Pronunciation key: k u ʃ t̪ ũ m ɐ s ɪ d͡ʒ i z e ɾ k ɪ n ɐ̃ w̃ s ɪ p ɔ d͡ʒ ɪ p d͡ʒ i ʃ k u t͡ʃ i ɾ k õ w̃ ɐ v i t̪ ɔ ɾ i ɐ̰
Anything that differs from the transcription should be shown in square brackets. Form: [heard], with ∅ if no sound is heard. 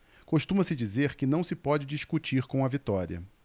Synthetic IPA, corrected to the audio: k [o] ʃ t̪ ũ m ɐ s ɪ d͡ʒ i z e ɾ k ɪ n ɐ̃ w̃ s ɪ p ɔ d͡ʒ ɪ [∅] d͡ʒ i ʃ k u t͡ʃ i ɾ k õ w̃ ɐ v i t̪ ɔ ɾ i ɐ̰